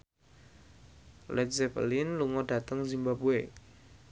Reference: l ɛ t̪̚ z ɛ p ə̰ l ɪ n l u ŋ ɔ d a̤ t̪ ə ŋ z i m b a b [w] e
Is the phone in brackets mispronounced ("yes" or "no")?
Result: yes